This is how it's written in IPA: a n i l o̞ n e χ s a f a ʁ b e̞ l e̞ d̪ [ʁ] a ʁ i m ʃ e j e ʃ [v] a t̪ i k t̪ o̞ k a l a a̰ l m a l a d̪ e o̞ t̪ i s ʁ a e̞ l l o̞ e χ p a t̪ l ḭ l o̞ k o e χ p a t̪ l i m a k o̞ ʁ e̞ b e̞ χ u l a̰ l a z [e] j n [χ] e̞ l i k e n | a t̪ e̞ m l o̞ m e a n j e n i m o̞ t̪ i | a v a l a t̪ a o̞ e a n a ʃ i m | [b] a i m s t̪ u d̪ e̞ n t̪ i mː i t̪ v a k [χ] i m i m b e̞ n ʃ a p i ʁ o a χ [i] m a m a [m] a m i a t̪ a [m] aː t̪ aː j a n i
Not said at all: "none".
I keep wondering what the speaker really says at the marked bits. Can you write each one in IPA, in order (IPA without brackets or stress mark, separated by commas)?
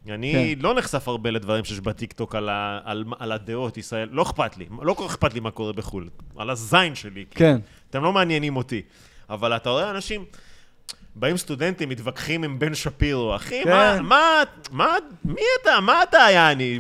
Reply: v, b, a, ʃ, b, χ, i, m, m